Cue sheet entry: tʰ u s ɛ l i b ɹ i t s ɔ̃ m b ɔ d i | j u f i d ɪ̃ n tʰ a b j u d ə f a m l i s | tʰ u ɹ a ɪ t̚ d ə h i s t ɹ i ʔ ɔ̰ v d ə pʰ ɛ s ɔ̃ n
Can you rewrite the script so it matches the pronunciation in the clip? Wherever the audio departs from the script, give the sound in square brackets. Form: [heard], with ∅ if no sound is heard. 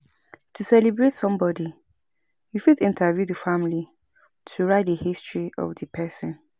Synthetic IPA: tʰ u s ɛ l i b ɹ [e] t s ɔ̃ m b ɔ d i | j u f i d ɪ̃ n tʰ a [v] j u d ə f a m l i [∅] | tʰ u ɹ a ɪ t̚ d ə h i s t ɹ i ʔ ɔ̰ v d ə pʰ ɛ s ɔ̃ n